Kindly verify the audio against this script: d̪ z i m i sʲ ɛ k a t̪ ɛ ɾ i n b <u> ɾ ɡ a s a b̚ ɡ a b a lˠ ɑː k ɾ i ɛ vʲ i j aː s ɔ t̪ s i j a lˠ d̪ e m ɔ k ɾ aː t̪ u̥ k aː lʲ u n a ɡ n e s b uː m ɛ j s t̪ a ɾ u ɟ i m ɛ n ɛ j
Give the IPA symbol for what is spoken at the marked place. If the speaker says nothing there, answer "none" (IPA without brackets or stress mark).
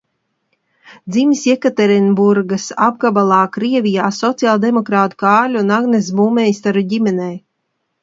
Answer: u